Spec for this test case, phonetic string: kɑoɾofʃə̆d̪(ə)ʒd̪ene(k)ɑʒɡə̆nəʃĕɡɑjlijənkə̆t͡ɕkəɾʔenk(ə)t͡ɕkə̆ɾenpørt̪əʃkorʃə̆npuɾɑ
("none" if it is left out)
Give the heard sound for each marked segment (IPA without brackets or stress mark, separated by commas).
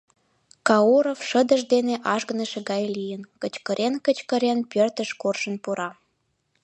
ə, ʔ, ə